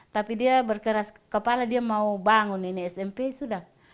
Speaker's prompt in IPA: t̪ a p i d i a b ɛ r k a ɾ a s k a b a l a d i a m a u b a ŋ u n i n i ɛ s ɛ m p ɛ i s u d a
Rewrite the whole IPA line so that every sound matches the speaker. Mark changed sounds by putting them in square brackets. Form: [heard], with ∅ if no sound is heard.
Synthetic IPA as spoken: t̪ a p i d i a b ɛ r k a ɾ a s k a [p] a l a d i a m a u b a ŋ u n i n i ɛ s ɛ m p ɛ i s u d a

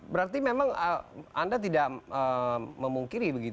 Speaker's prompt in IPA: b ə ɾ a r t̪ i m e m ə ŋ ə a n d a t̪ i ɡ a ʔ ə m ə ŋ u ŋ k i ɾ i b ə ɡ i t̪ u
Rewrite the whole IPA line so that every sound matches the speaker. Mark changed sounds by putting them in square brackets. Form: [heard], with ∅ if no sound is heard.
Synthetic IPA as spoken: b ə ɾ a r t̪ i m e m [a] ŋ ə a n d a t̪ i [d] a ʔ ə m ə [m] u ŋ k i ɾ i b ə ɡ i t̪ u

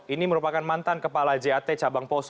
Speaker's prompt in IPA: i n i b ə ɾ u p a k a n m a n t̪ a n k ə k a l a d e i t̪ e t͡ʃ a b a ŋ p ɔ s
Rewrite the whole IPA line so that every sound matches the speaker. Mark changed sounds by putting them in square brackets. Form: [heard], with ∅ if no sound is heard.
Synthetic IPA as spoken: i n i [m] ə ɾ u p a k a n m a n t̪ a n k ə [p] a l a [d͡ʒ] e [a] t̪ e t͡ʃ a b a ŋ p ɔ s

